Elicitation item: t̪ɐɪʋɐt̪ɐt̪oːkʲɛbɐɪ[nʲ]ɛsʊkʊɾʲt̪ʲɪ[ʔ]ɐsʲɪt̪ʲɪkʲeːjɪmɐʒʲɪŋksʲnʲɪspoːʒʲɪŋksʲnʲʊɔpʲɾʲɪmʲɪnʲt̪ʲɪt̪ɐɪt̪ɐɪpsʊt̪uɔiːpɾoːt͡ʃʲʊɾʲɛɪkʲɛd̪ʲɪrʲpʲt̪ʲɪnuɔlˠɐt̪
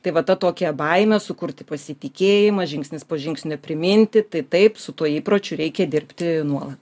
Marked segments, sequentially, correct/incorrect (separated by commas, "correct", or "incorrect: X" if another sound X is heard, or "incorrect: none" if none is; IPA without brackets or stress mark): incorrect: mʲ, incorrect: p